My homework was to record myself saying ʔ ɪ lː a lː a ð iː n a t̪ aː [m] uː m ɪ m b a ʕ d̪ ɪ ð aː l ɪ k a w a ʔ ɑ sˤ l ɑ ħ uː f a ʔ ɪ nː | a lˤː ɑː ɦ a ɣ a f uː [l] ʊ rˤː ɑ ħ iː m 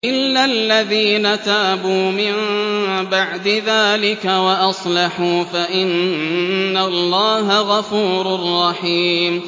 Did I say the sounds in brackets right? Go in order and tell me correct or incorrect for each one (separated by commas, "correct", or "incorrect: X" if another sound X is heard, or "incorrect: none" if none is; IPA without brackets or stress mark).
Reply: incorrect: b, incorrect: ɾ